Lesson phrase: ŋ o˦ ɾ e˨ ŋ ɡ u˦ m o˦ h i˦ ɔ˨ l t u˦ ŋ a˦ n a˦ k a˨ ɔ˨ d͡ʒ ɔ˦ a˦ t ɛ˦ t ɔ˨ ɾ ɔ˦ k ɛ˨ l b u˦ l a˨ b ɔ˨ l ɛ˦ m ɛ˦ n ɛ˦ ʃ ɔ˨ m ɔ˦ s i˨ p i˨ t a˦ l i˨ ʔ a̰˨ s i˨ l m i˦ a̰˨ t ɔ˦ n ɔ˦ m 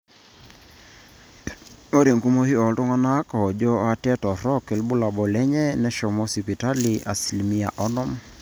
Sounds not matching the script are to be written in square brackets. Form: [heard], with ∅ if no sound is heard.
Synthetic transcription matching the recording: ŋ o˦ ɾ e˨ ŋ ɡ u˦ m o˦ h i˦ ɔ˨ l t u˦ ŋ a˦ n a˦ k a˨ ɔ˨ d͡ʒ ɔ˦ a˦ t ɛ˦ t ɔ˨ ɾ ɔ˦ k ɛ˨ l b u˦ l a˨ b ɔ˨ l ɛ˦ [ɲ] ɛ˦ n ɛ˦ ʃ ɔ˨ m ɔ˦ s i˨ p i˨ t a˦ l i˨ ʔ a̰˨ s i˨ l m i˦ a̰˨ [ʔ] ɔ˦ n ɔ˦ m

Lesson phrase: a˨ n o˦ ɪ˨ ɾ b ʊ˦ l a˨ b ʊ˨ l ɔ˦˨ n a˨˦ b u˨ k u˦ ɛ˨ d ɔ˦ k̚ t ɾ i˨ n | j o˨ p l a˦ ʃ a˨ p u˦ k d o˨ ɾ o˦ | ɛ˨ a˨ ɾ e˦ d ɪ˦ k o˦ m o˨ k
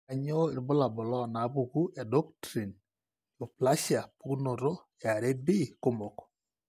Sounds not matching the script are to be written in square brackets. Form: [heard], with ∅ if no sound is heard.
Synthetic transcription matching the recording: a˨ [ɲ] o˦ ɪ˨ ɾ b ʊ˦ l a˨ b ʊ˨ l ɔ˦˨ n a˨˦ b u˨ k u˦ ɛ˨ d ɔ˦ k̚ t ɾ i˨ n | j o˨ p l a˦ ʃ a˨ p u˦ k [n] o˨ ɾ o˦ | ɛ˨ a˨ ɾ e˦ [b] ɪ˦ k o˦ m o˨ k

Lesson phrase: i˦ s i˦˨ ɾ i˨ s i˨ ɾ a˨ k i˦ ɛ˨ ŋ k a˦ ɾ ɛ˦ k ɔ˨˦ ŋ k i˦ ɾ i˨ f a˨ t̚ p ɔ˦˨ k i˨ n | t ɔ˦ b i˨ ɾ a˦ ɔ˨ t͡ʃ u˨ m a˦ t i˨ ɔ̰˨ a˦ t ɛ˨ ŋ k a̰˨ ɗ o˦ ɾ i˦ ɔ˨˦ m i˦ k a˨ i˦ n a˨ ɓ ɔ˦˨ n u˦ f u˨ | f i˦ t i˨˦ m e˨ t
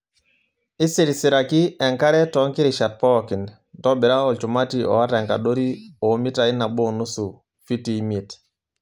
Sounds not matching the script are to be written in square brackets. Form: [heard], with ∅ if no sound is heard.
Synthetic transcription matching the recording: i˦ s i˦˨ ɾ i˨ s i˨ ɾ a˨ k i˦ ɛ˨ ŋ k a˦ ɾ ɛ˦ [t] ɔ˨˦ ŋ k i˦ ɾ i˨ [ʃ] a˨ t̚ p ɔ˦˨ k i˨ n | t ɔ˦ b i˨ ɾ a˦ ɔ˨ t͡ʃ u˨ m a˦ t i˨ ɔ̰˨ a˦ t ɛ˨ ŋ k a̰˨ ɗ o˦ ɾ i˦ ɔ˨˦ m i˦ [t] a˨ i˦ n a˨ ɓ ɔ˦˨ n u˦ [s] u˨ | f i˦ t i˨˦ m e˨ t

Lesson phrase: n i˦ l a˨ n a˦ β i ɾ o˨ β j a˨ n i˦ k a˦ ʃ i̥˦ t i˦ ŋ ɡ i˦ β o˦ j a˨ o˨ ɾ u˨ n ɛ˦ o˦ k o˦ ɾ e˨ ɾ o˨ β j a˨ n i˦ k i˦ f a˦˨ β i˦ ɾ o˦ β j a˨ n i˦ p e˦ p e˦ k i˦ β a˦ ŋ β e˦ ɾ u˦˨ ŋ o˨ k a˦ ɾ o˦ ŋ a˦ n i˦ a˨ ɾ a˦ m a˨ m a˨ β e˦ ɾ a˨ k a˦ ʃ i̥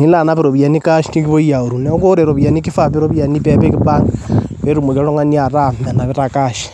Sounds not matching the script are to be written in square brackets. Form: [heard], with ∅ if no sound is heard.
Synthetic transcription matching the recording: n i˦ l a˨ n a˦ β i ɾ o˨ β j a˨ n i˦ k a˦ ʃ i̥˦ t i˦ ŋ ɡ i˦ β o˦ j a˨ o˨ ɾ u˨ n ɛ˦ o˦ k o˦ ɾ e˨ ɾ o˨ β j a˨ n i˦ k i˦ f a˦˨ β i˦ ɾ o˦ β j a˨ n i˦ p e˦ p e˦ k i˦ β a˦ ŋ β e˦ ɾ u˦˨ [m] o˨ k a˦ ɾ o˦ ŋ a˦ n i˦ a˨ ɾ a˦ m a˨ [n] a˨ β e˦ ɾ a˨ k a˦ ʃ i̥

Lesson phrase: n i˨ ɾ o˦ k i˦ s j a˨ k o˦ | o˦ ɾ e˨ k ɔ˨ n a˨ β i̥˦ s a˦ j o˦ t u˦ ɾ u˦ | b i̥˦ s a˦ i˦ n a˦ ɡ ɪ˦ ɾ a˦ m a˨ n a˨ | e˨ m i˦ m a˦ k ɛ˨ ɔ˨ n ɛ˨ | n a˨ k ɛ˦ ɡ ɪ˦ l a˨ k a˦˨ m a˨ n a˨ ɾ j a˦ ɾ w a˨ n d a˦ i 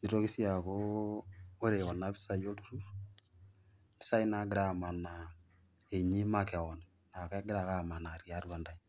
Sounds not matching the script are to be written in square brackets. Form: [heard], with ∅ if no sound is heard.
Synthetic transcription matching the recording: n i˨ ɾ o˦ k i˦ s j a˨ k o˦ | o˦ ɾ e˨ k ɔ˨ n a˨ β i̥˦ s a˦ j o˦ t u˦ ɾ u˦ | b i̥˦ s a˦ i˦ n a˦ ɡ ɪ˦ ɾ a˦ m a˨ n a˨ | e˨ [ɲ] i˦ m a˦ k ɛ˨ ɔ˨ n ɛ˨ | n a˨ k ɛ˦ ɡ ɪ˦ [ɾ] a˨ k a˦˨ m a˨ n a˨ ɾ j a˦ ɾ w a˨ n d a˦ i

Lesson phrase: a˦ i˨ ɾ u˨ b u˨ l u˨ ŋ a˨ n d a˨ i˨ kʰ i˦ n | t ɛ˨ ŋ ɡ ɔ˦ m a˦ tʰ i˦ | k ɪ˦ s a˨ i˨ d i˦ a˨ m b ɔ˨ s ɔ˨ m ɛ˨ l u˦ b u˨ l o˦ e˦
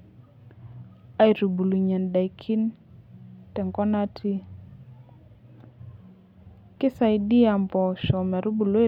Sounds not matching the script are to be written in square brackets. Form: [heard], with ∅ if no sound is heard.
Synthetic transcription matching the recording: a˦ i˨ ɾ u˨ b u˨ l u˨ [ɲ] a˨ n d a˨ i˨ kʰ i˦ n | t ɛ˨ ŋ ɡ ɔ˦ [n] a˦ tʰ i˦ | k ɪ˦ s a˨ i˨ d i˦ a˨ m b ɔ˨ [ʃ] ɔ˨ m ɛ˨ [ɾ] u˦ b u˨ l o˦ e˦

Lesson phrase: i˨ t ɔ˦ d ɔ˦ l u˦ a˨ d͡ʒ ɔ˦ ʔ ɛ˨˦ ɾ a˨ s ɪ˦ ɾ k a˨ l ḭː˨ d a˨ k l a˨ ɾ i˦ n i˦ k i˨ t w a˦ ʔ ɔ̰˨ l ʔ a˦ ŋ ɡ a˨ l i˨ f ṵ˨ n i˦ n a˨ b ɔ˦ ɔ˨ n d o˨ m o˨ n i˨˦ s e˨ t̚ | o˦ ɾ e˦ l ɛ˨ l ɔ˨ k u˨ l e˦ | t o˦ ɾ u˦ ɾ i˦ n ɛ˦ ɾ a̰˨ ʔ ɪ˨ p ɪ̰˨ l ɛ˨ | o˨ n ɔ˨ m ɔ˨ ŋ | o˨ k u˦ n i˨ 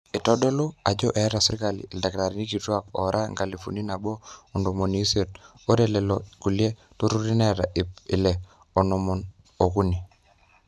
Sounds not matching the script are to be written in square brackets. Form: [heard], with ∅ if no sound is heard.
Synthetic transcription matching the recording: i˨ t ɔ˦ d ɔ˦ l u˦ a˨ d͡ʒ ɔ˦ ʔ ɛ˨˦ ɾ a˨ s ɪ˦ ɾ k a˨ l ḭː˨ d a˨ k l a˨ ɾ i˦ n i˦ k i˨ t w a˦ [k] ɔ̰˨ [ɾ] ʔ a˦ ŋ ɡ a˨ l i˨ f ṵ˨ n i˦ n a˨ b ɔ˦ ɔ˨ n d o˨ m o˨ n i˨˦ s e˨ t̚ | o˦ ɾ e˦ l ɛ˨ l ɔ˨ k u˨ l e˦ | t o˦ ɾ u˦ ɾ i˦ n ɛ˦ ɾ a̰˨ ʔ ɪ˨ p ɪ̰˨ l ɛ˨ | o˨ n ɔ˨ m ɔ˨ [n] | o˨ k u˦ n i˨

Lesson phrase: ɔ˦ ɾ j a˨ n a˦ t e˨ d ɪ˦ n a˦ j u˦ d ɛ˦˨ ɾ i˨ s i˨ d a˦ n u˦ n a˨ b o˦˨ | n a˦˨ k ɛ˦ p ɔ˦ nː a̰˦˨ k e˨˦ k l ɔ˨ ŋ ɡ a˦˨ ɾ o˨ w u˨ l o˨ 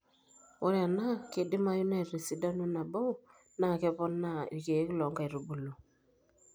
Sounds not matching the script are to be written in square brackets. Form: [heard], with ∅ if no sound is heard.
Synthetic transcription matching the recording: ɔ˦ ɾ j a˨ n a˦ [k] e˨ d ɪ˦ [m] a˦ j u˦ [n] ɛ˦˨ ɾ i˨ s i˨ d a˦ n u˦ n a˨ b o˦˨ | n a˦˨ k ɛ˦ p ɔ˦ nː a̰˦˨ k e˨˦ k l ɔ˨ ŋ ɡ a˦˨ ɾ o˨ [b] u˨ l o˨

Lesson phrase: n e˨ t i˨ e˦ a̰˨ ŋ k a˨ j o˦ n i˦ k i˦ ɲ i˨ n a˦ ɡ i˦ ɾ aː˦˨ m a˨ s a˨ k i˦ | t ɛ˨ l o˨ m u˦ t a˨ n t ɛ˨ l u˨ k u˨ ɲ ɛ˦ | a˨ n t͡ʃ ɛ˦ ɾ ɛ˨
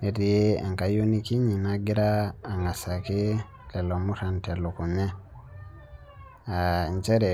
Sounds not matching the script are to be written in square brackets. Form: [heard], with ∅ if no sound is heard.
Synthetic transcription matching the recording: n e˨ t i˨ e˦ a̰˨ ŋ k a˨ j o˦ n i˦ k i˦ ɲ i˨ n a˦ ɡ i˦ ɾ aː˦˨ [ŋ] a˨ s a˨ k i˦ | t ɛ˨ l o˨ m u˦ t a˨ n t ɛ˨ l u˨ k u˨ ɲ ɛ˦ | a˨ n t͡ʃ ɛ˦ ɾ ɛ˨

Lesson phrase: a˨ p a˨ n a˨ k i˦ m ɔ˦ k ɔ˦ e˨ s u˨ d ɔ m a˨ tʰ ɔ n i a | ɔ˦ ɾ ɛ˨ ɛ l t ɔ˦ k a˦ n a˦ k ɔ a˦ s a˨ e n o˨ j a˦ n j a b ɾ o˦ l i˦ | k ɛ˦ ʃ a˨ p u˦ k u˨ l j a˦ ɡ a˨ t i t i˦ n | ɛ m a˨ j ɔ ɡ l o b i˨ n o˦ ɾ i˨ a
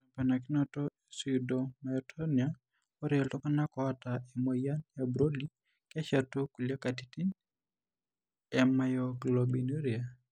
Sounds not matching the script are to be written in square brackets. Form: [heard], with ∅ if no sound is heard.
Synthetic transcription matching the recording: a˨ p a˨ n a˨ k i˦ [n] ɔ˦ [t] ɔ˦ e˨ s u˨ d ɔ m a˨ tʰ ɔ n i a | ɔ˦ ɾ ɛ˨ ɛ l t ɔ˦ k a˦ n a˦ k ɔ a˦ [t] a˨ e [m] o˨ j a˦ n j a b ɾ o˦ l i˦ | k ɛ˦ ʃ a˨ [t] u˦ k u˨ l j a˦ [k] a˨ t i t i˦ n | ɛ m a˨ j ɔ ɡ l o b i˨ n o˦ ɾ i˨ a

